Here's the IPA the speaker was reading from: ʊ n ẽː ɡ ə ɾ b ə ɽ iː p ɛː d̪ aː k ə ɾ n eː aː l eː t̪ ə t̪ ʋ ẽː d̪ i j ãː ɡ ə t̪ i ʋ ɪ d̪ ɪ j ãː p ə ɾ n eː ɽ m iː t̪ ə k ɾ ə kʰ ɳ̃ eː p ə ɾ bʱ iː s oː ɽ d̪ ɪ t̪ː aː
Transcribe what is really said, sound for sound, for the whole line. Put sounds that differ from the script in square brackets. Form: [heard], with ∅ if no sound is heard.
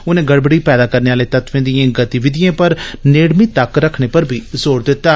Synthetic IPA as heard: ʊ n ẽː ɡ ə [ɽ] b ə ɽ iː p ɛː d̪ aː k ə ɾ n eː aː l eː t̪ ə t̪ ʋ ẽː d̪ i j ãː ɡ ə t̪ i ʋ ɪ d̪ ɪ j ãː p ə ɾ n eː ɽ m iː t̪ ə k ɾ ə kʰ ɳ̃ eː p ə ɾ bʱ iː [z] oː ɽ d̪ ɪ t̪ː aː